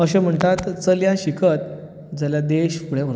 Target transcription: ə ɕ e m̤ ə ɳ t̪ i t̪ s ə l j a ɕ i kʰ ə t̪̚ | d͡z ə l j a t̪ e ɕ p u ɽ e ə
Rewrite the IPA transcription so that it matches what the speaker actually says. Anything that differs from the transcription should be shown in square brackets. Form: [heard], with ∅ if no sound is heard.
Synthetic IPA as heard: ə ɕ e m̤ ə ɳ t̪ [a] t̪ [t͡s] ə l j a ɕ i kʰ ə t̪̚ | d͡z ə l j a [d̪] e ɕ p u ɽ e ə